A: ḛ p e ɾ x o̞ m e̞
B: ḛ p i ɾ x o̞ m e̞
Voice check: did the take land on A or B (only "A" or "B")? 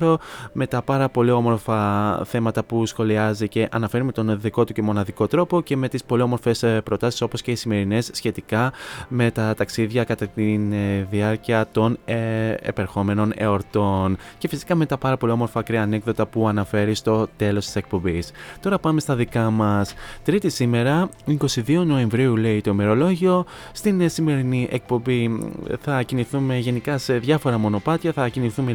A